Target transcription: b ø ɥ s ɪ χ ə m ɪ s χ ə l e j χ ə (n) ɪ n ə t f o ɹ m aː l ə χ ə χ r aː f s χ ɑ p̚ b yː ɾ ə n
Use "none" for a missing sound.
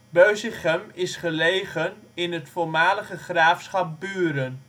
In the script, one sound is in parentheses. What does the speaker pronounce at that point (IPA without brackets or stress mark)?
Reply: n